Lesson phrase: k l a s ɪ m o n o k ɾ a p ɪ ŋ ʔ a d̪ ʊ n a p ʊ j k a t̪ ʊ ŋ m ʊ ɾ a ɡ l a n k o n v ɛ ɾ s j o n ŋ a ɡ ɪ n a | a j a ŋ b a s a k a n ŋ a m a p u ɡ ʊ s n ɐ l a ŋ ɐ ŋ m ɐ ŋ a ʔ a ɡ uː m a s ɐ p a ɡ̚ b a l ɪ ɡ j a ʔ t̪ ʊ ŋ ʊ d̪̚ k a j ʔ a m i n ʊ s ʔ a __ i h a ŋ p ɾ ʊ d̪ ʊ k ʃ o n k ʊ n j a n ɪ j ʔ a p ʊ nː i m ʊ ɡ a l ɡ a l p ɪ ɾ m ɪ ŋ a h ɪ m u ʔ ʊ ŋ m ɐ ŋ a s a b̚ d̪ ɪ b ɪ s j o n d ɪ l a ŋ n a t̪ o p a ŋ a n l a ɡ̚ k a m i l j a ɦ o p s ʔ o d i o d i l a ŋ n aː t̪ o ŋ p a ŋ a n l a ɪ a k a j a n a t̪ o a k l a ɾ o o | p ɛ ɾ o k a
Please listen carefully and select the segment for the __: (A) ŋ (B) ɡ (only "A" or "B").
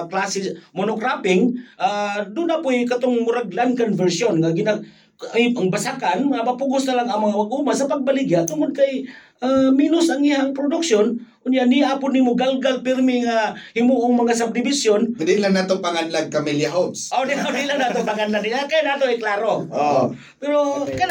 A